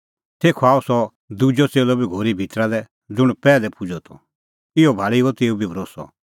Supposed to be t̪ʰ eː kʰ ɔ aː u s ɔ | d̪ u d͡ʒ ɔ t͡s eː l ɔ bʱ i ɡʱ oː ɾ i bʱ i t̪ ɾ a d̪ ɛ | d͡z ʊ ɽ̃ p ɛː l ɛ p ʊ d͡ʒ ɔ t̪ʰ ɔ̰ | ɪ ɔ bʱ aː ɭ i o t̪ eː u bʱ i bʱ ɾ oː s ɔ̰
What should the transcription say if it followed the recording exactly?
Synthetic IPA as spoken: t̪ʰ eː kʰ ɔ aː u s ɔ | d̪ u d͡ʒ ɔ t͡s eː l ɔ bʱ i ɡʱ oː ɾ i bʱ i t̪ ɾ a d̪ ɛ | d͡z ʊ ɽ̃ p ɛː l ɛ p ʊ d͡ʒ ɔ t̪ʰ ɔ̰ | ɪ ɔ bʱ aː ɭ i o t̪ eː u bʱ i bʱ ɾ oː s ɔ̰